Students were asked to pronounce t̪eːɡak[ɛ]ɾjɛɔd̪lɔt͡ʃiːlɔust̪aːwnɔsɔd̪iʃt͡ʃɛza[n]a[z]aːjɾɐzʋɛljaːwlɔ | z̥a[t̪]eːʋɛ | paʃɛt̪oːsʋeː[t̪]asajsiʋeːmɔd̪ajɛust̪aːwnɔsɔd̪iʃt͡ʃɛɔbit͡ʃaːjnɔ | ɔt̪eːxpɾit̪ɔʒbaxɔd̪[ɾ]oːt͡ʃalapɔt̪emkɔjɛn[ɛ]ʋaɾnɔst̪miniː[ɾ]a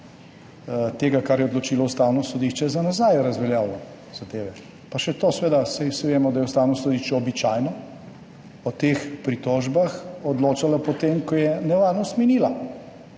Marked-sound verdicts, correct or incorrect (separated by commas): incorrect, correct, correct, incorrect, incorrect, incorrect, correct, incorrect